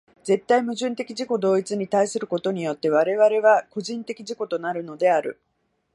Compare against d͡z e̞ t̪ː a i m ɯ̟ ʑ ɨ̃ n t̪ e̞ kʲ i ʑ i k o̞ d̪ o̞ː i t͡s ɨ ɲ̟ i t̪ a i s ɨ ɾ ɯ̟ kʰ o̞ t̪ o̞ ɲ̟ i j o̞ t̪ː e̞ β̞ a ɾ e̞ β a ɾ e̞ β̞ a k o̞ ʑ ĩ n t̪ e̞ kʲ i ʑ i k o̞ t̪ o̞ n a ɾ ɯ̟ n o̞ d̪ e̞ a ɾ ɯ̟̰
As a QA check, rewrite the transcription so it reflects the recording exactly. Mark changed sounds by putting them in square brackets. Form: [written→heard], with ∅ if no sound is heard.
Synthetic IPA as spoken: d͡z e̞ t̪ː a i m ɯ̟ ʑ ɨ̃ n t̪ e̞ kʲ i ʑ i k o̞ d̪ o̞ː i t͡s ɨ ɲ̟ i t̪ a i s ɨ ɾ ɯ̟ [kʰ→k] o̞ t̪ o̞ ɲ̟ i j o̞ t̪ː e̞ β̞ a ɾ e̞ β a ɾ e̞ β̞ a k o̞ ʑ ĩ n t̪ e̞ kʲ i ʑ i k o̞ t̪ o̞ n a ɾ ɯ̟ n o̞ d̪ e̞ a ɾ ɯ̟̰

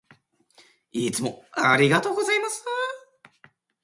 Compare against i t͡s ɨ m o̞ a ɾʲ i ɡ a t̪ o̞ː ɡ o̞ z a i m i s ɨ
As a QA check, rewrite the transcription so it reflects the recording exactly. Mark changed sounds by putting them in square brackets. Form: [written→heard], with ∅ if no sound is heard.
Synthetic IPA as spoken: i t͡s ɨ m o̞ a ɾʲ i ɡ a t̪ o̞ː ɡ o̞ z a i m [i→a] s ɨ

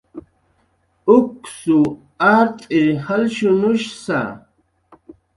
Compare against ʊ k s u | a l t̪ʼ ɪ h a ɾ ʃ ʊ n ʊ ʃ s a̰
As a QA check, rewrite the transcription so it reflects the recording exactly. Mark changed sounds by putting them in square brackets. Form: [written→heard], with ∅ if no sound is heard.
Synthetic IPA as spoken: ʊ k s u | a [l→ɾ] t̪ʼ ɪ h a [ɾ→l] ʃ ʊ n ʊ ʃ s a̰

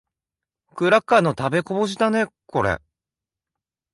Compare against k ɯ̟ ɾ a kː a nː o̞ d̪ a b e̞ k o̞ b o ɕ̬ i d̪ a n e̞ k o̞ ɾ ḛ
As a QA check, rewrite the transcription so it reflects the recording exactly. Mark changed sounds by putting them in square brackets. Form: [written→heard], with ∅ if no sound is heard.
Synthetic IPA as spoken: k ɯ̟ ɾ a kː a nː o̞ [d̪→t̪] a b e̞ k o̞ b o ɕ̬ i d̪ a n e̞ k o̞ ɾ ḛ

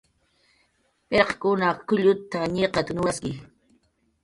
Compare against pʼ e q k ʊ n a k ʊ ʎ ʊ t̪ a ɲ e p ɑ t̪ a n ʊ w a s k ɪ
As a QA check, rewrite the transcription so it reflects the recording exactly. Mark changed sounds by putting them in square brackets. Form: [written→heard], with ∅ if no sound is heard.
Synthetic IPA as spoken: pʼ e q k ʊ n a k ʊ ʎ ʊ t̪ a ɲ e [p→q] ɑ t̪ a n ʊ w a s k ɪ

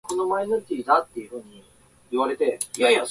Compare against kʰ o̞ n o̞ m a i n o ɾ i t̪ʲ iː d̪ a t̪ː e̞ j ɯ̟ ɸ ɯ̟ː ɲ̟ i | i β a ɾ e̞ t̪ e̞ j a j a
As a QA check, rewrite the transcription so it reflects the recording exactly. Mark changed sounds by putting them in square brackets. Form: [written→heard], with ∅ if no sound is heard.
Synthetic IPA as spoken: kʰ o̞ n o̞ m a i n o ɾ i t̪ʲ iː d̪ a t̪ː e̞ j ɯ̟ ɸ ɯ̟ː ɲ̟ i | i β a ɾ e̞ t̪ e̞ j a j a

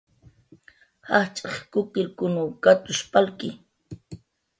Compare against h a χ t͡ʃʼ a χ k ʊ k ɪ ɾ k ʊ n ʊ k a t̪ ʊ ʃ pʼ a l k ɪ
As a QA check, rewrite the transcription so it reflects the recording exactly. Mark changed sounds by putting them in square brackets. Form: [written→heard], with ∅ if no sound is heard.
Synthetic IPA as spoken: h a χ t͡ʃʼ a χ k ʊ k ɪ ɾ k ʊ n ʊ k a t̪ ʊ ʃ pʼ a l k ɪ

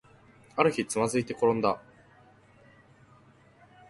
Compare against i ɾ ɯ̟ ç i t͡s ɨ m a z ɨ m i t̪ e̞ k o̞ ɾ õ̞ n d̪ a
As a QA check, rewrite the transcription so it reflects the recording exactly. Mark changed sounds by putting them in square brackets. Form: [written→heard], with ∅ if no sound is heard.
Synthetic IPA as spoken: [i→a] ɾ ɯ̟ ç i t͡s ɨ m a z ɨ [m→∅] i t̪ e̞ k o̞ ɾ õ̞ n d̪ a

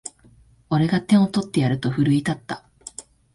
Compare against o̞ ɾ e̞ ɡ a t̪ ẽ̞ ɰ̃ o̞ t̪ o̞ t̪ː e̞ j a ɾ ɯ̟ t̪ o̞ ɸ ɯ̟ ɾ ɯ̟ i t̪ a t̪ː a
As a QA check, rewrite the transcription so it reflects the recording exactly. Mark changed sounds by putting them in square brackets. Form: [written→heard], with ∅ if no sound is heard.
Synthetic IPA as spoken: o̞ ɾ e̞ ɡ a t̪ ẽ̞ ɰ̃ o̞ t̪ o̞ t̪ː e̞ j a ɾ ɯ̟ t̪ o̞ ɸ ɯ̟ ɾ ɯ̟ i t̪ a t̪ː a

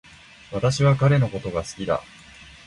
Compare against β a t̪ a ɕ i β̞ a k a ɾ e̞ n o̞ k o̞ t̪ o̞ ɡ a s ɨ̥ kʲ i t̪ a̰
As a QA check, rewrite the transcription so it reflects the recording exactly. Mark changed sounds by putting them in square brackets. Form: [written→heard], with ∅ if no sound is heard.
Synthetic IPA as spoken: β a t̪ a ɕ i β̞ a k a ɾ e̞ n o̞ k o̞ t̪ o̞ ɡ a s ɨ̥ kʲ i [t̪→d̪] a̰

